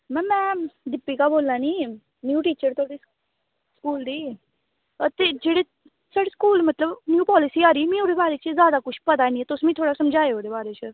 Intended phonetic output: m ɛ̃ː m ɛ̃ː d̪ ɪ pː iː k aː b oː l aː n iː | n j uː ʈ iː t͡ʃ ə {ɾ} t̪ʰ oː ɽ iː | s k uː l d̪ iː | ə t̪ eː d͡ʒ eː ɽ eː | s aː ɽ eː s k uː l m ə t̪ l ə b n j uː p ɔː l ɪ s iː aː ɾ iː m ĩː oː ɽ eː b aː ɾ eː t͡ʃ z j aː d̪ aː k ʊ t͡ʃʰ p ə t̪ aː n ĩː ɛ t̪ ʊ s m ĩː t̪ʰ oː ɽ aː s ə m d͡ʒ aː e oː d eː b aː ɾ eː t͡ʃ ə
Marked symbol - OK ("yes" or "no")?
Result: yes